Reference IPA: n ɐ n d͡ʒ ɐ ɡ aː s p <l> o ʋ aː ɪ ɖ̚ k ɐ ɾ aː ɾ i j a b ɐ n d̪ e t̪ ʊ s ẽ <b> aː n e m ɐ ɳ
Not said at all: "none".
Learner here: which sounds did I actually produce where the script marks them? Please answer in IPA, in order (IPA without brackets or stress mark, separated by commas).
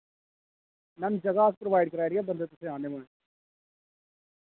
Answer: ɾ, none